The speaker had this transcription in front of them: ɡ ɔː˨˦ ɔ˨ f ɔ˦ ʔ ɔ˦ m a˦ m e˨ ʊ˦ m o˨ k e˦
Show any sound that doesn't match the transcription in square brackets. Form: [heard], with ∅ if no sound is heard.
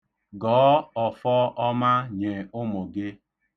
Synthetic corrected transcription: ɡ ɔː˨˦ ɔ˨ f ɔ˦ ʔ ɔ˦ m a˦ [ɲ] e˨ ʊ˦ m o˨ [ɡ] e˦